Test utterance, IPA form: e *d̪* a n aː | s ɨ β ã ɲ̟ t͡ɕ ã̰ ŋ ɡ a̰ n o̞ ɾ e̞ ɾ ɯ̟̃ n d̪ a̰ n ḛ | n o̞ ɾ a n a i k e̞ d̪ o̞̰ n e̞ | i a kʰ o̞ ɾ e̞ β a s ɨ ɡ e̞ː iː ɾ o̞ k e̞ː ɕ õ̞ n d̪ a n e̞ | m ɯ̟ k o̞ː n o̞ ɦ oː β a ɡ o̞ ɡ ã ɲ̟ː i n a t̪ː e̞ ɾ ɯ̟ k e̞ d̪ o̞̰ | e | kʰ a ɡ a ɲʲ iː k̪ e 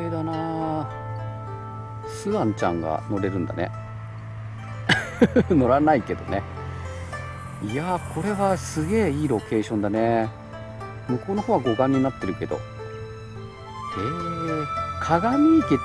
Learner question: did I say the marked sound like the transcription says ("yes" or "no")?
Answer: yes